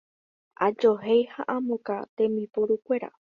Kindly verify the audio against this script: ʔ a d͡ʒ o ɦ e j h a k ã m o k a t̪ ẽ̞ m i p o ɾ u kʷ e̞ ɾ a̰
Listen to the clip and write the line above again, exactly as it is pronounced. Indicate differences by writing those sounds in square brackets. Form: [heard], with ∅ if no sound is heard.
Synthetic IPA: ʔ a d͡ʒ o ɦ e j h a [ʔ] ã m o k a t̪ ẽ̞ m i p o ɾ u kʷ e̞ ɾ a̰